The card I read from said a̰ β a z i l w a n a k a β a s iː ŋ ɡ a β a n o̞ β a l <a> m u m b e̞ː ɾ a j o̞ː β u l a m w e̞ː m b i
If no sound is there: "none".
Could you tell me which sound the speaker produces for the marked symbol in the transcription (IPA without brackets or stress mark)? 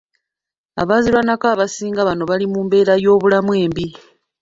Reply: i